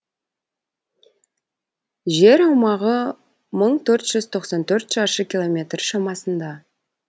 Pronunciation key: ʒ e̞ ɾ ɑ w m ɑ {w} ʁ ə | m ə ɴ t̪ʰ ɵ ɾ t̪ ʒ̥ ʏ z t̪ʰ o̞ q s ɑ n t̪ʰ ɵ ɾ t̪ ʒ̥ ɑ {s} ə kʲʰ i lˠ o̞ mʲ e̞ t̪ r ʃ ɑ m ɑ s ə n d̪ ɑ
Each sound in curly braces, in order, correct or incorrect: incorrect, incorrect

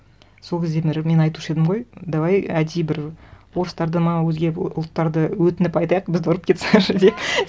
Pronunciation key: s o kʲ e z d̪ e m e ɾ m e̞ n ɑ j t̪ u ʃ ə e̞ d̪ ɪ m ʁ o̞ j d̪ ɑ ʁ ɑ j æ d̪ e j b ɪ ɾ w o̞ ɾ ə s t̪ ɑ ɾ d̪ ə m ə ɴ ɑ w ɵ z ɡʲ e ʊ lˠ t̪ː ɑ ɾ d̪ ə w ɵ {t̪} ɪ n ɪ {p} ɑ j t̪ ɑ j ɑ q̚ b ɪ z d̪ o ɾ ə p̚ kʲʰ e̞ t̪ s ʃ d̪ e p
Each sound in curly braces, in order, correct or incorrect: correct, correct

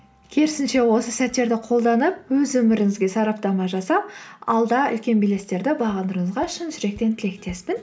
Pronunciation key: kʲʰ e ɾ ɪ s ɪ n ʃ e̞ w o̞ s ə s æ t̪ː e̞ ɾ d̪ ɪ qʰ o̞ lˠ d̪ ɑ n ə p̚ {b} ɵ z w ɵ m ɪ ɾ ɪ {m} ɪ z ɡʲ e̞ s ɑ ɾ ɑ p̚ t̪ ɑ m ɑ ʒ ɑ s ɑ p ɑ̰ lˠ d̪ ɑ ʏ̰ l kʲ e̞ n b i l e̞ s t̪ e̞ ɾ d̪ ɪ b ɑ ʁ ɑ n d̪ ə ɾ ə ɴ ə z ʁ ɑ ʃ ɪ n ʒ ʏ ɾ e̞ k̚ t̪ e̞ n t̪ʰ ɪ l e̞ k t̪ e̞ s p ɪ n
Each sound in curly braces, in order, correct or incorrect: incorrect, incorrect

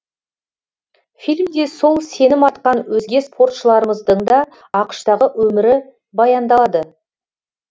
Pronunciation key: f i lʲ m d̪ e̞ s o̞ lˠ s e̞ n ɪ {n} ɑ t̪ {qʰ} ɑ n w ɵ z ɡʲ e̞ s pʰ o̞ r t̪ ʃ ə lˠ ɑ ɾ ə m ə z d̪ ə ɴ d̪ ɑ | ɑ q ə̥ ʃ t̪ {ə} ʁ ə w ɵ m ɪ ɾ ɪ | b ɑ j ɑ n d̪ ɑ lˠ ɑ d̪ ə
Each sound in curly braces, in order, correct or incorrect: incorrect, incorrect, incorrect

